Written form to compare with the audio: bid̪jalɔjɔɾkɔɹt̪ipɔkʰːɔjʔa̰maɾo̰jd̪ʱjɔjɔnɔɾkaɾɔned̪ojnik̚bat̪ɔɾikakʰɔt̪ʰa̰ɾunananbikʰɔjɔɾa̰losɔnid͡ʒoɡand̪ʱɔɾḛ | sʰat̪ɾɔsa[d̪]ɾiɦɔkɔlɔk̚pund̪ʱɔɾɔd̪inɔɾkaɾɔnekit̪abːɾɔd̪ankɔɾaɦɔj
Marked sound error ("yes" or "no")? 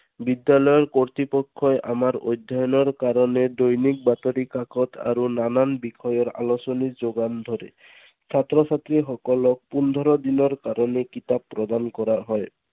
yes